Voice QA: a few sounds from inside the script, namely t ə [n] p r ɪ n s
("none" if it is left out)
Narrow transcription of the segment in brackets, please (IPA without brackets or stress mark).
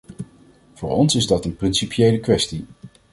n